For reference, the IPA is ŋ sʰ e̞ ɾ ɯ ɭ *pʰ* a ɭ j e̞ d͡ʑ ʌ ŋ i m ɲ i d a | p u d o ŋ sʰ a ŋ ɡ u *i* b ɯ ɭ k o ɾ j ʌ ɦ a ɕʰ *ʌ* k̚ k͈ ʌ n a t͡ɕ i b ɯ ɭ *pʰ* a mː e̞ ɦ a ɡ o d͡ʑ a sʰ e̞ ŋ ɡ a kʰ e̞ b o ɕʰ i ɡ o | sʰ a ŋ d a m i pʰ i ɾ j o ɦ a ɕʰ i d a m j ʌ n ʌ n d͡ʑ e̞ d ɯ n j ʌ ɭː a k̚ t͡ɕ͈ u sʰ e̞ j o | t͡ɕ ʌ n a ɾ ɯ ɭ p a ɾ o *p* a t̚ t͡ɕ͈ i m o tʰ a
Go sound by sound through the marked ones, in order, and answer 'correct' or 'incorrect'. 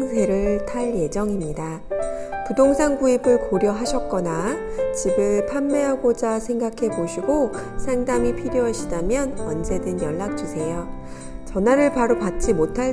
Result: incorrect, correct, correct, correct, correct

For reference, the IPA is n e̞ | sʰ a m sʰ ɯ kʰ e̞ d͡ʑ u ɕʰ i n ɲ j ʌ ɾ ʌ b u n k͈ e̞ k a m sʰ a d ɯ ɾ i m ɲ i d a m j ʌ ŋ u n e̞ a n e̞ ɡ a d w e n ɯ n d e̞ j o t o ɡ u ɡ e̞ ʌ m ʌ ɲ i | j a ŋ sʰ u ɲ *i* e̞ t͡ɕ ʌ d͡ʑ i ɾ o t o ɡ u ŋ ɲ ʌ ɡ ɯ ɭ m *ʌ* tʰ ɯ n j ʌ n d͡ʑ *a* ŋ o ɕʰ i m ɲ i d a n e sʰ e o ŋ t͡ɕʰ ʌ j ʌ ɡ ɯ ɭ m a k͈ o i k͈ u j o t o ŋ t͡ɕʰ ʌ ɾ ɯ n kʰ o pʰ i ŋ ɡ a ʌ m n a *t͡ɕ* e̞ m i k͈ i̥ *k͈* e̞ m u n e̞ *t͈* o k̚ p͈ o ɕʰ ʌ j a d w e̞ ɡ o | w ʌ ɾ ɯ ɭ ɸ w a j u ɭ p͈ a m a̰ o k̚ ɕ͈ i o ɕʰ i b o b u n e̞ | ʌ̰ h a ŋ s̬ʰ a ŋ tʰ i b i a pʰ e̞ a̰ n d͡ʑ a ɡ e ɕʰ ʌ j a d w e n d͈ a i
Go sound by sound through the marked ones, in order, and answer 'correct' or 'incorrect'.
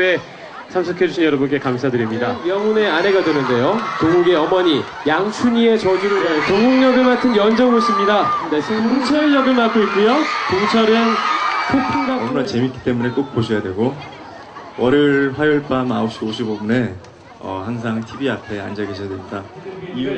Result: correct, incorrect, incorrect, correct, incorrect, incorrect

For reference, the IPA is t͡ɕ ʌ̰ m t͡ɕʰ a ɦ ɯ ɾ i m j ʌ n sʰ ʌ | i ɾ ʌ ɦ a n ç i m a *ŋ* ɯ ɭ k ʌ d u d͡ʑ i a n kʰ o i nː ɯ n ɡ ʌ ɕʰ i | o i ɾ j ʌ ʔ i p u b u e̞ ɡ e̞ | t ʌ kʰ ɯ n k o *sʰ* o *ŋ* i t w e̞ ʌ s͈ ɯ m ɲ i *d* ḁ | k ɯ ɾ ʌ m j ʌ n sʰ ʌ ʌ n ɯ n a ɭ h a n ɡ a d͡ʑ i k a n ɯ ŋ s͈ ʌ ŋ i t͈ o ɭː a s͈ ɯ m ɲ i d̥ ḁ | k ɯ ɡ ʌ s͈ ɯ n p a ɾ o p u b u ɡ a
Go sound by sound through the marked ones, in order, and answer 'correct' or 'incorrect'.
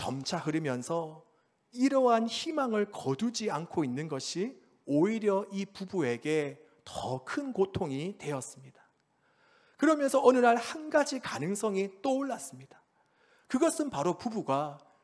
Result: correct, incorrect, correct, correct

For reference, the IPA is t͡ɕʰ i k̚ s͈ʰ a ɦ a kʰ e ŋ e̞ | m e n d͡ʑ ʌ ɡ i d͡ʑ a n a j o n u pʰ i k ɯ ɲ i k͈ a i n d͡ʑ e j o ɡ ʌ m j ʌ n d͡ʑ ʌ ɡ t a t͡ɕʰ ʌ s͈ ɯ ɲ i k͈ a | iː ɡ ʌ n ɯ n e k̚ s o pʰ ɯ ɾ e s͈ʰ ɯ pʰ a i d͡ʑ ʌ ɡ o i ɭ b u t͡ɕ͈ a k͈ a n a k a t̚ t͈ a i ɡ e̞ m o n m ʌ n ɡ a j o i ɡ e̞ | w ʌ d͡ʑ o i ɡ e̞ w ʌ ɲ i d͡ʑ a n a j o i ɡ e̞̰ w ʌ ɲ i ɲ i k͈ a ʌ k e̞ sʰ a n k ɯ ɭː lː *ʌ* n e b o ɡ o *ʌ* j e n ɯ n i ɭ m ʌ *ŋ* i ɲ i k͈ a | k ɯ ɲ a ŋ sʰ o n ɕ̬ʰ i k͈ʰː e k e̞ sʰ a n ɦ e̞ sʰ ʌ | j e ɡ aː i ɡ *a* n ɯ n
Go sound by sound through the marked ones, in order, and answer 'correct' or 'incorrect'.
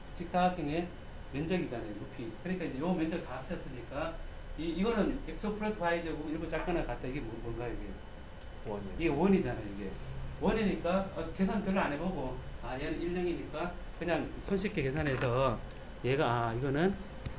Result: incorrect, incorrect, correct, incorrect

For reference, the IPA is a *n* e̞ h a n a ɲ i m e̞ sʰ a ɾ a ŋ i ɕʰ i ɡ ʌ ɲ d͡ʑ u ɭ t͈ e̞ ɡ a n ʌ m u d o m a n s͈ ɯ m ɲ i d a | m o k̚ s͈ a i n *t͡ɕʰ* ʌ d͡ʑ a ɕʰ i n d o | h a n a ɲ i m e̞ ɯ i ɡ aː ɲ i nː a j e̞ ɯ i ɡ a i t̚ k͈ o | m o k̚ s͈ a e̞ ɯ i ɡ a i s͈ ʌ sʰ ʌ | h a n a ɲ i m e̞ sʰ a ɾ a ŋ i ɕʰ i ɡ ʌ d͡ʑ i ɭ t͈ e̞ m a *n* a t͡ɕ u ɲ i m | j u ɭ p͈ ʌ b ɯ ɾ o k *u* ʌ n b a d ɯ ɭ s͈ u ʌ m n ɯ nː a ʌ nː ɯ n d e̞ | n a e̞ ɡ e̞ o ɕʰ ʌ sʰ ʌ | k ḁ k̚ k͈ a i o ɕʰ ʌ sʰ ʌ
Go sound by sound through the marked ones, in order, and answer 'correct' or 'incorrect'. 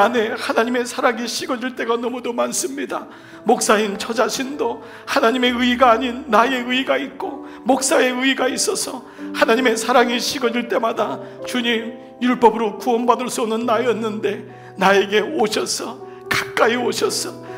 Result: correct, correct, incorrect, correct

